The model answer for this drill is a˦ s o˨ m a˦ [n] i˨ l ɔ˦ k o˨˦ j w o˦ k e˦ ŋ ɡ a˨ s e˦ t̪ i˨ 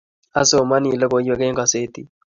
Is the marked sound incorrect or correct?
correct